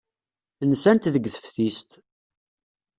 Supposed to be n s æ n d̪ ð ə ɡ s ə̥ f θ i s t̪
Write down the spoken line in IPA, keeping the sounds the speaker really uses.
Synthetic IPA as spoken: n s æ n t̪ ð ə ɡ θ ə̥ f θ i s t̪